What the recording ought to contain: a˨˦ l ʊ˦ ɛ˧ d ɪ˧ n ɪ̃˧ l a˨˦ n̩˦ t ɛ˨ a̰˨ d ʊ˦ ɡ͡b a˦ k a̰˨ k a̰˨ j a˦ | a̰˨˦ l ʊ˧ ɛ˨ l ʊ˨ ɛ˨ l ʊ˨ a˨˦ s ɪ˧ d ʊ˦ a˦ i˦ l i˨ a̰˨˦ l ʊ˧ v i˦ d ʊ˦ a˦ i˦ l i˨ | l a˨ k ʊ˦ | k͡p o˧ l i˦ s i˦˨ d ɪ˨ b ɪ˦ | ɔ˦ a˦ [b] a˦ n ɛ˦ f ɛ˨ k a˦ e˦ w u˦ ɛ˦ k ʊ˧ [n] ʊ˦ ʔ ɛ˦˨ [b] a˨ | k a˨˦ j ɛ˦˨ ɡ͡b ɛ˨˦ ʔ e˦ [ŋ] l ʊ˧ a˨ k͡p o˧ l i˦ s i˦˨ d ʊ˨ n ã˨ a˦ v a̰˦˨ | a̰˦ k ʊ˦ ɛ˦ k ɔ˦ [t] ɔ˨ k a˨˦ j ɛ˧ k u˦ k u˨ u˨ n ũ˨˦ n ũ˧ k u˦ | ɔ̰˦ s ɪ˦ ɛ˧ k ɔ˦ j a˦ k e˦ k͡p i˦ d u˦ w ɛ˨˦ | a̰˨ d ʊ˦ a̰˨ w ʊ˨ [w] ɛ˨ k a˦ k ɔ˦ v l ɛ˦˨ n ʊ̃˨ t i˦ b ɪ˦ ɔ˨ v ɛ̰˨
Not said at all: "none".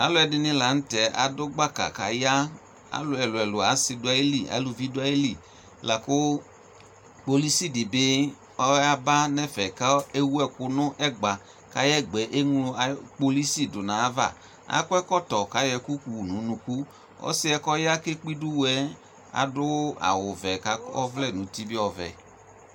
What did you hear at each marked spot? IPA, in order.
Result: b, n, ɡ͡b, ŋ, t, v

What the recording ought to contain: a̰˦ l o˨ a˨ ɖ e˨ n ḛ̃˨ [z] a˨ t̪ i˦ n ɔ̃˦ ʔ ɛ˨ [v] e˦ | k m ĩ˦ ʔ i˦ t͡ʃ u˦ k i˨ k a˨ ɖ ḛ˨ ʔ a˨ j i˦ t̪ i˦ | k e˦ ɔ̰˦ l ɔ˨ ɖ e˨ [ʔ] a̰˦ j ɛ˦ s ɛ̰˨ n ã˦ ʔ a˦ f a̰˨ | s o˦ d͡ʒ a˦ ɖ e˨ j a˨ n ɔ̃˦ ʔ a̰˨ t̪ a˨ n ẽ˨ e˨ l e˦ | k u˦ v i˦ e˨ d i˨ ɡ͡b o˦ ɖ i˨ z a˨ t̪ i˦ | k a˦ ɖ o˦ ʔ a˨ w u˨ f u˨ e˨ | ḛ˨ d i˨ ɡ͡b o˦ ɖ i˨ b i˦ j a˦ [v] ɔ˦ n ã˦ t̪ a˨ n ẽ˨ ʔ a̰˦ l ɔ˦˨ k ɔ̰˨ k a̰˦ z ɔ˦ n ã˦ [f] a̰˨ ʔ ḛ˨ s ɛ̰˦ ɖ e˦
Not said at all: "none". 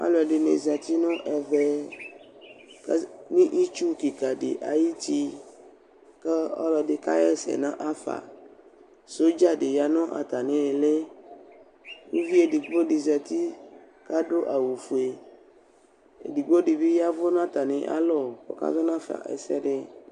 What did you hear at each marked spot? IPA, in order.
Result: z, v, k, v, f

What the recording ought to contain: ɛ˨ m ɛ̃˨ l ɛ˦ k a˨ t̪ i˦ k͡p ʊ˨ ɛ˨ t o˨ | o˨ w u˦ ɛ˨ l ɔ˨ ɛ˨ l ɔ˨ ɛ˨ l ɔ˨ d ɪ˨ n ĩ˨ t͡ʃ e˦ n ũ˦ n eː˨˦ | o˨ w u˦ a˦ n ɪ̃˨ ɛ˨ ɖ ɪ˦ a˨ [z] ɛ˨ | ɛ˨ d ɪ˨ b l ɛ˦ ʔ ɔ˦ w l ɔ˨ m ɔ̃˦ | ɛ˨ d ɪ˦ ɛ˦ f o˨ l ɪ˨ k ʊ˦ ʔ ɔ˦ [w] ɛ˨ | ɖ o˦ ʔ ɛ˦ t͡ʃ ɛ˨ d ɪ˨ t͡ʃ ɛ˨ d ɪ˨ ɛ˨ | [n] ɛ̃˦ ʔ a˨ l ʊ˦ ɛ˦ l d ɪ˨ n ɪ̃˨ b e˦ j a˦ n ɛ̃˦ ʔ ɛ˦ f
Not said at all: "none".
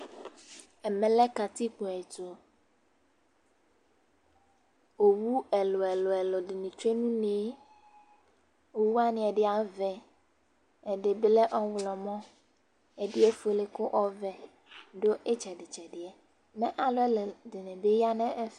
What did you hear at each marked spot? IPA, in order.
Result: v, v, m

